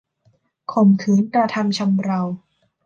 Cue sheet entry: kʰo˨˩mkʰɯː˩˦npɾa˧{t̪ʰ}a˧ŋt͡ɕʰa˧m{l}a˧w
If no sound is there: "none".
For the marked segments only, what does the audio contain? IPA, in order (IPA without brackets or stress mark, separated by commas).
t̪ʰ, ɾ